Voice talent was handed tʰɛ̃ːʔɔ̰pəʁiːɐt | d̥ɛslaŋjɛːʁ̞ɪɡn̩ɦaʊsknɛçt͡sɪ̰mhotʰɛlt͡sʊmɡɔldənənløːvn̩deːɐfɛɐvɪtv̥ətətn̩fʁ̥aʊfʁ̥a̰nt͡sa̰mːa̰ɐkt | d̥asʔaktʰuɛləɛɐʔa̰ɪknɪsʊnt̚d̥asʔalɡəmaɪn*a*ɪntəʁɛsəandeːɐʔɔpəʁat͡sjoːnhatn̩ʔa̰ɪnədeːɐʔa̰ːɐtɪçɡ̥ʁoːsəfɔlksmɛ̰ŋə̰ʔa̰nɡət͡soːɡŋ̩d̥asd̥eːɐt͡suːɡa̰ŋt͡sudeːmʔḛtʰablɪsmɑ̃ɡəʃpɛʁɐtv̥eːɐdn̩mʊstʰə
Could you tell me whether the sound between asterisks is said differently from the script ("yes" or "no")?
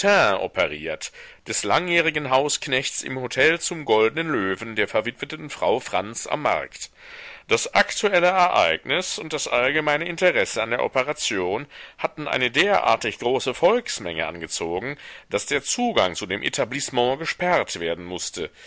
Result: yes